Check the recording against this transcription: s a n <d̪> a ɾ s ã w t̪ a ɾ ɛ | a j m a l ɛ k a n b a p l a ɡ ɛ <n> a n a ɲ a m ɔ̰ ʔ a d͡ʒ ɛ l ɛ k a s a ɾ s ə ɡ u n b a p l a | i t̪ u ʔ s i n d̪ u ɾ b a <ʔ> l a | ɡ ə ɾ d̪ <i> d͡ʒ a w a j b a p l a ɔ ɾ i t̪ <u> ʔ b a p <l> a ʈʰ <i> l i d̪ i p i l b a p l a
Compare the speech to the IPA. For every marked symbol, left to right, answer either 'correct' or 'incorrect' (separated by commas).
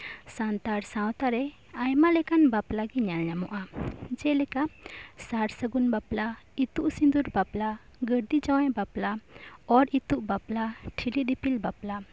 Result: incorrect, incorrect, incorrect, correct, correct, correct, correct